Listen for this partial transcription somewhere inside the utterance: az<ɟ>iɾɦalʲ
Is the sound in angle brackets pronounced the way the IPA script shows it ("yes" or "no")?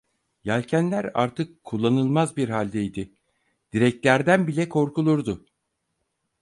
no